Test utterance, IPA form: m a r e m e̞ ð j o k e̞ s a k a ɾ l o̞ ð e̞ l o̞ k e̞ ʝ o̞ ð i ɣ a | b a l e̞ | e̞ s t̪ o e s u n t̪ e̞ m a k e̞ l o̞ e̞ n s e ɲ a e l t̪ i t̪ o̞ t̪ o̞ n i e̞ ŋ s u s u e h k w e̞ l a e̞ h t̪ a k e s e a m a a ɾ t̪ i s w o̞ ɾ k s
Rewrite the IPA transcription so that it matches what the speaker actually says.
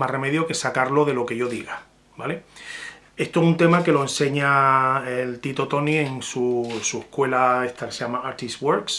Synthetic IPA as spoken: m a r e m e̞ ð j o k e̞ s a k a ɾ l o̞ ð e̞ l o̞ k e̞ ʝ o̞ ð i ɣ a | b a l e̞ | e̞ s t̪ o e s u n t̪ e̞ m a k e̞ l o̞ e̞ n s e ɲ a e l t̪ i t̪ o̞ t̪ o̞ n i e̞ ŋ s u s u e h k w e̞ l a e̞ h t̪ a k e s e a m a a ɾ t̪ i s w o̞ ɾ k s